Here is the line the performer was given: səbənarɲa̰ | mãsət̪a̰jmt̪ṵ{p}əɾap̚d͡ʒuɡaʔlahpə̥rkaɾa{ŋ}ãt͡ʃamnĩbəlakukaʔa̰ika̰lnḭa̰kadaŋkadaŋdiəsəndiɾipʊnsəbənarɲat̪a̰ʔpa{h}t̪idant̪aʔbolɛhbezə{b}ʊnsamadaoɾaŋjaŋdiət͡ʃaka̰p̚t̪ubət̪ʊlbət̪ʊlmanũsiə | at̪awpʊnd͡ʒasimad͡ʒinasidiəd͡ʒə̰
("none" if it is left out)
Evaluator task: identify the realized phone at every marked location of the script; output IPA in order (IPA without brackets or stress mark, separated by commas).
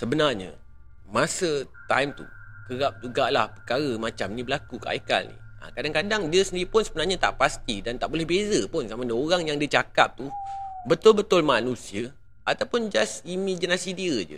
k, m, s, p